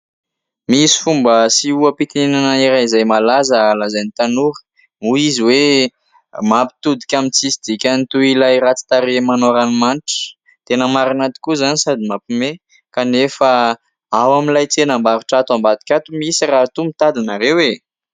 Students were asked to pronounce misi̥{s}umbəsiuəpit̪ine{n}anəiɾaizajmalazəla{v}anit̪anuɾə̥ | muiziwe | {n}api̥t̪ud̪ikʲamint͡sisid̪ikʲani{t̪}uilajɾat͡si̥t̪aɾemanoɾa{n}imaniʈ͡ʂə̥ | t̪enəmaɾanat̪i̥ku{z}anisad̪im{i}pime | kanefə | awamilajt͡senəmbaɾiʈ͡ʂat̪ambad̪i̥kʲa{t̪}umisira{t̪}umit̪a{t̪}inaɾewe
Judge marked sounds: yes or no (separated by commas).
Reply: no, yes, no, no, yes, yes, yes, no, yes, yes, no